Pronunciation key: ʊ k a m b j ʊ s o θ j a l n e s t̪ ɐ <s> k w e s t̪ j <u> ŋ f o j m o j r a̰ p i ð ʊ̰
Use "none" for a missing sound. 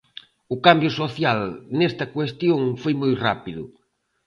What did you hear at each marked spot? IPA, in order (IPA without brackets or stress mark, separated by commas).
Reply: none, o